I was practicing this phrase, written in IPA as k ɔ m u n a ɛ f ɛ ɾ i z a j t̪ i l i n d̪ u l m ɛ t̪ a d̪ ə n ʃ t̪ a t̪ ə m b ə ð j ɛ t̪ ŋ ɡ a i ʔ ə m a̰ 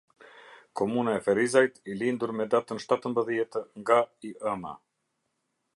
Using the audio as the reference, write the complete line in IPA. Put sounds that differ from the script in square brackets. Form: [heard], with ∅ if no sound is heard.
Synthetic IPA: k ɔ m u n a ɛ f ɛ ɾ i z a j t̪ i l i n d̪ u [ɾ] m ɛ [d̪] a [t̪] ə n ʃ t̪ a t̪ ə m b ə ð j ɛ t̪ ŋ ɡ a i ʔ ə m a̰